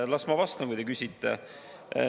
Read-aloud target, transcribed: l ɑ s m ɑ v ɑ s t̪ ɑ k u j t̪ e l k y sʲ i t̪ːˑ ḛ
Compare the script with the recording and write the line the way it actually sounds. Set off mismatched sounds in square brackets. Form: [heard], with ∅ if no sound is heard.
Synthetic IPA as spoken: l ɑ s m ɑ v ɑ s t̪ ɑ k u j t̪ e [∅] k y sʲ i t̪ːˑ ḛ

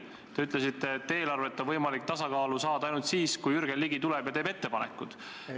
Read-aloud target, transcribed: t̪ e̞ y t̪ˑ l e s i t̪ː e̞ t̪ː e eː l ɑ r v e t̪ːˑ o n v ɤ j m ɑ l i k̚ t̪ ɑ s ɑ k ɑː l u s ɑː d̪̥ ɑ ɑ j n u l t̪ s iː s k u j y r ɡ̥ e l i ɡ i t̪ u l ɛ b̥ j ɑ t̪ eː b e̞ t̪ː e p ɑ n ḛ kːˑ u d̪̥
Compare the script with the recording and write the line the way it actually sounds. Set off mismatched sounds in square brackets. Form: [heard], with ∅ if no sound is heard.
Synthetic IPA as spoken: t̪ e̞ y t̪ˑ l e s i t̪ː e̞ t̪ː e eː l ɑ r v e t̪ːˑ o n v ɤ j m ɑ l i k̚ t̪ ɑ s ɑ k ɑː l u s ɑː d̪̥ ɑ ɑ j n u l t̪ s iː s k u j y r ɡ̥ e l i ɡ i t̪ u l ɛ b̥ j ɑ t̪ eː b e̞ t̪ː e p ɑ n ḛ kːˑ u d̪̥

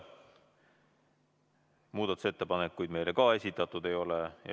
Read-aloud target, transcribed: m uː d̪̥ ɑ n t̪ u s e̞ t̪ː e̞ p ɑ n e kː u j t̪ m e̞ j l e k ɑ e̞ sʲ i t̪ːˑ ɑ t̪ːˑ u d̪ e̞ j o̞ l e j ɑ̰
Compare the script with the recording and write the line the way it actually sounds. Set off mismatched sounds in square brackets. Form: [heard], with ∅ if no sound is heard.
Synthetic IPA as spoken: m uː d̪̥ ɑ [∅] t̪ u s e̞ t̪ː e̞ p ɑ n e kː u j [d̪] m e̞ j l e k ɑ e̞ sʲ i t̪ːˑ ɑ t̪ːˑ u d̪ e̞ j o̞ l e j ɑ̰

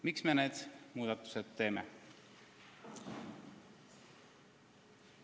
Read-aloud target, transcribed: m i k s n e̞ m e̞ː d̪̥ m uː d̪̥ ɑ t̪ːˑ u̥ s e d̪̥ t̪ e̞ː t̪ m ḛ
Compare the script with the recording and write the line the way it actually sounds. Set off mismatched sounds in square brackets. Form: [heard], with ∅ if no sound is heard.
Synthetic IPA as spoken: m i k s [m] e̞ [n] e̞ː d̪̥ m uː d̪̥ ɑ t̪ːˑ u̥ s e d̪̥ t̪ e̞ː [∅] m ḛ

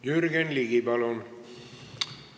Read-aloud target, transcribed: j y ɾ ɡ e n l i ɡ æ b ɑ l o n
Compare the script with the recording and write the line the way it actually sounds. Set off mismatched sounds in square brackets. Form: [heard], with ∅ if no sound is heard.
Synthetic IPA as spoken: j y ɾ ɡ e n l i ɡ [i] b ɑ l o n

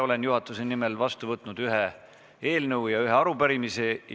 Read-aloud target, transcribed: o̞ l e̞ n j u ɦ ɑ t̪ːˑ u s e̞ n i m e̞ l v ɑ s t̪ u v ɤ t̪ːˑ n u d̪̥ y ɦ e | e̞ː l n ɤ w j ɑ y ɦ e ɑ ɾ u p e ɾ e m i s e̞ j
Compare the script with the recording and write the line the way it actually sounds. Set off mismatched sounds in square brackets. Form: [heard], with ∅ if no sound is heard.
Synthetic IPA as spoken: o̞ l e̞ n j u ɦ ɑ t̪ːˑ u s e̞ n i m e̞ l v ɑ s t̪ u v ɤ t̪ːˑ n u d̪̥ y ɦ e | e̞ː l n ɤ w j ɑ y ɦ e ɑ ɾ u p [æ] ɾ [i] m i s e̞ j

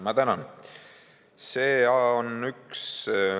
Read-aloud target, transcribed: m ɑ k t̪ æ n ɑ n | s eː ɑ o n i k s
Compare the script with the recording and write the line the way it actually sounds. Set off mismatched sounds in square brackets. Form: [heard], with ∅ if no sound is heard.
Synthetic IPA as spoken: m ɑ [∅] t̪ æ n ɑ n | s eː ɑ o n [y] k s

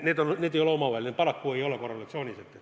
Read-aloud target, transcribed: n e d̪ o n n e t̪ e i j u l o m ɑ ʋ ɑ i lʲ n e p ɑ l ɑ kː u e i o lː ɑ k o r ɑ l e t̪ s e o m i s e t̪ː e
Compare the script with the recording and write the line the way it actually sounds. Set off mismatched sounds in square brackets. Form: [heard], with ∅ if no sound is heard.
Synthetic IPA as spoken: n e [t̪] o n n e t̪ e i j [o] l o m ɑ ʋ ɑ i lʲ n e p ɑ l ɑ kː u e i o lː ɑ k o r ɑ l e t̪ s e o [n] i s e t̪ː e

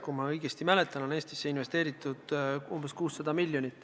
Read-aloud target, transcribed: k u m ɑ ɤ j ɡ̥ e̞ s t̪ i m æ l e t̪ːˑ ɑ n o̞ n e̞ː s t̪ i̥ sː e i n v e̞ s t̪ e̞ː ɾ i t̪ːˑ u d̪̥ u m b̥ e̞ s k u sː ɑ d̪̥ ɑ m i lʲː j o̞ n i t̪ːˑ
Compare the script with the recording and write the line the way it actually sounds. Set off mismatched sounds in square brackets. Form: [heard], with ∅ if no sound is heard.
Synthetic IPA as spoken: k u m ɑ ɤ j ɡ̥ e̞ s t̪ i m æ l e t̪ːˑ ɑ n o̞ n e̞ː s t̪ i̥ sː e i n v e̞ s t̪ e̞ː ɾ i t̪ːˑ u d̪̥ u m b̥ e̞ s k [uː] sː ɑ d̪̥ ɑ m i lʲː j o̞ n i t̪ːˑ

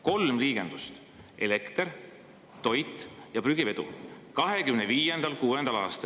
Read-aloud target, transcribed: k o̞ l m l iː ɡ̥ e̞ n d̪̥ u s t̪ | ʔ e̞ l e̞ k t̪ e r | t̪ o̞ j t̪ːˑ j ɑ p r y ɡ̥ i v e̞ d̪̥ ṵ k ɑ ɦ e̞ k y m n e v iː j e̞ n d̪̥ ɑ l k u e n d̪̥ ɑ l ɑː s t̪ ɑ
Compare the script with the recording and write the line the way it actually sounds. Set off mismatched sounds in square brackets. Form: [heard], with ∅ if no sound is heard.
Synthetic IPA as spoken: k o̞ l m l iː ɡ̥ e̞ n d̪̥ u s t̪ | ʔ e̞ l e̞ k t̪ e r | t̪ o̞ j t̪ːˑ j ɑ p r y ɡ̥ i v e̞ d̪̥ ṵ k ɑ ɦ e̞ k y m n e v iː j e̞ n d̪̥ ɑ l k [uː] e n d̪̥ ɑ l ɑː s t̪ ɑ

